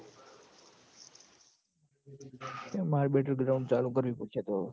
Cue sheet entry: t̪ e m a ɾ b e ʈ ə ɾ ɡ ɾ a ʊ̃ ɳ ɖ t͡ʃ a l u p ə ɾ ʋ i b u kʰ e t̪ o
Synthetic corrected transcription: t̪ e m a ɾ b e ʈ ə ɾ ɡ ɾ a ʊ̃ ɳ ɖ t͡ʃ a l u k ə ɾ ʋ i p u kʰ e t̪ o